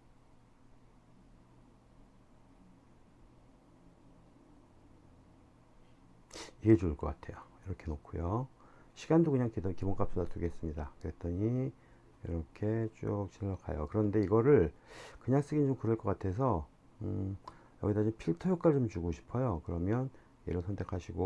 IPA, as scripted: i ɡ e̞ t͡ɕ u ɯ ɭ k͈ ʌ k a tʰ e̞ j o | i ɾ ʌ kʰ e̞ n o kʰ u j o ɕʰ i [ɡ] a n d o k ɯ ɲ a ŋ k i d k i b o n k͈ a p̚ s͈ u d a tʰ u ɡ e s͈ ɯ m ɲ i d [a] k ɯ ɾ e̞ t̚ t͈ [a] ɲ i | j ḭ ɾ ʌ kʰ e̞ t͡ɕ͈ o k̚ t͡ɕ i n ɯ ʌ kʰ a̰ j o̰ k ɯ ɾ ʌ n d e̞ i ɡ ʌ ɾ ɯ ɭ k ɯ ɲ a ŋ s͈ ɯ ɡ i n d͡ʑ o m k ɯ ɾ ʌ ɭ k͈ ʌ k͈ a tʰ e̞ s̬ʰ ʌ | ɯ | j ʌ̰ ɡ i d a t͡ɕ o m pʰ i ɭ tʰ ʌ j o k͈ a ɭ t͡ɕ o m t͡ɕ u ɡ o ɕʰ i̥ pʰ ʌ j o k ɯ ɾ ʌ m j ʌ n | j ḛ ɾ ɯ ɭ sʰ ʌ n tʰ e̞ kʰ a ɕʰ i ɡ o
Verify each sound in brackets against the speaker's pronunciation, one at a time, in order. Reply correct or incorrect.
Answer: correct, correct, incorrect: ʌ

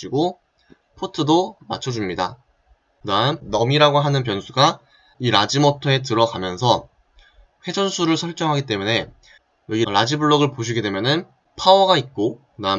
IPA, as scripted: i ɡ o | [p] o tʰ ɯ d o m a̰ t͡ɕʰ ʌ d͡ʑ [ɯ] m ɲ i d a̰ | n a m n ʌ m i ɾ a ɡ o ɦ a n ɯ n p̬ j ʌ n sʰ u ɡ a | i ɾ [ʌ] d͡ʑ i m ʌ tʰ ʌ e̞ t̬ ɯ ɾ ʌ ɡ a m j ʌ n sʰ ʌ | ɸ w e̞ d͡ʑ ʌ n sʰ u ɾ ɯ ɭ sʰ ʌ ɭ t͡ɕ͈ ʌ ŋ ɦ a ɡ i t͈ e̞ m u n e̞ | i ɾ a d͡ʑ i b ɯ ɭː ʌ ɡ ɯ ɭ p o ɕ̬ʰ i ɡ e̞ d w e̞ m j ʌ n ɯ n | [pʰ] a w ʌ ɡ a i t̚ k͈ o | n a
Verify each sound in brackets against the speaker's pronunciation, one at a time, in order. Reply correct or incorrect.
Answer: incorrect: pʰ, incorrect: u, incorrect: a, correct

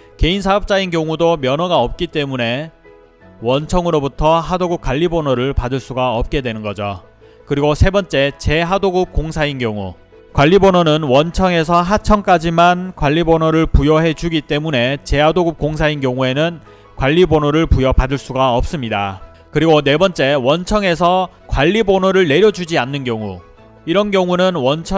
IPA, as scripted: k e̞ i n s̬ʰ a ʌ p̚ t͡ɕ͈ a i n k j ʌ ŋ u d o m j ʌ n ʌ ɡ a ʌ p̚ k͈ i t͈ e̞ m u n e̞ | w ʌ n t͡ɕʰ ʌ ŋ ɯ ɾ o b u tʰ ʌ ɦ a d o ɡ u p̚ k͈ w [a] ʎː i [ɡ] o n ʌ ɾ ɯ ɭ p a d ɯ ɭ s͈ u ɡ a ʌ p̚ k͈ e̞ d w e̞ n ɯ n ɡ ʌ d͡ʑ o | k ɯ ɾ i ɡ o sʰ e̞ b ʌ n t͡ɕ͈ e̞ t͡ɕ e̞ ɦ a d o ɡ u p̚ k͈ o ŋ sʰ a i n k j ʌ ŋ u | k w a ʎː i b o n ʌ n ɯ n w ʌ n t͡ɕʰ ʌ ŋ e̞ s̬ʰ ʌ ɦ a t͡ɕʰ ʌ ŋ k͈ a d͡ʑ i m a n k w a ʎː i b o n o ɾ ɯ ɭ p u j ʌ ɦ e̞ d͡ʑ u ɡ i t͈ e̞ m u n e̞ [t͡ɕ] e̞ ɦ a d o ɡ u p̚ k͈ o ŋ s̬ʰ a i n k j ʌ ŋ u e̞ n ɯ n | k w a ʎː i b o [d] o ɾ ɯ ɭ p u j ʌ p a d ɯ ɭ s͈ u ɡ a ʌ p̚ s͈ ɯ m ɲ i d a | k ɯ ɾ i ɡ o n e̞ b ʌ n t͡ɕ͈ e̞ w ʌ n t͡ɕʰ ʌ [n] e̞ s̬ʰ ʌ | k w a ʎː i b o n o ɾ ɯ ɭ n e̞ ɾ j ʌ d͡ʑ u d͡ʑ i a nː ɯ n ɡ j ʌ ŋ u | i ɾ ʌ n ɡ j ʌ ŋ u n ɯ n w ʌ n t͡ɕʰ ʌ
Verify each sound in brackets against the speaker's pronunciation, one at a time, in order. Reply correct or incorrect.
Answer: correct, incorrect: b, correct, incorrect: n, incorrect: ŋ

